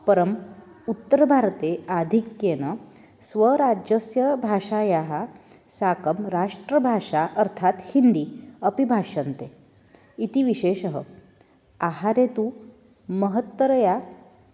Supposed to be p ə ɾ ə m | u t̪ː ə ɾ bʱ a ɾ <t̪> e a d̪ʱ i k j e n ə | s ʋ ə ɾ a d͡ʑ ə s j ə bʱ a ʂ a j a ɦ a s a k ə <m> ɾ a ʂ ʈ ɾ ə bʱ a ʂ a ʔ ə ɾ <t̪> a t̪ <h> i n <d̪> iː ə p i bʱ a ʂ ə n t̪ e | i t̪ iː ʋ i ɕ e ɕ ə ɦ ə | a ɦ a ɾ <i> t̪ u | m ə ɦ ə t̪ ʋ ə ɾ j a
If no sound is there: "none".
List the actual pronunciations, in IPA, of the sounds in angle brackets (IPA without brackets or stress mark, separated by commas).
t̪, m, t̪ʰ, h, d̪, e